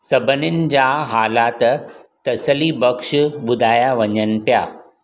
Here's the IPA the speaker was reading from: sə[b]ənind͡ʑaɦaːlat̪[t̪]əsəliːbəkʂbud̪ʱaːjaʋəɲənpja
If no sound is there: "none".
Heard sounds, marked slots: b, t̪

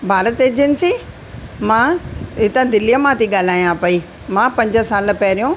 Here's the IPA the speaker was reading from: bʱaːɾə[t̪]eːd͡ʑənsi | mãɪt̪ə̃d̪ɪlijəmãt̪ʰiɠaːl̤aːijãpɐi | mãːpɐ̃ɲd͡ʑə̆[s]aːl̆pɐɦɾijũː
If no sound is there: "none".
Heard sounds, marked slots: t̪, s

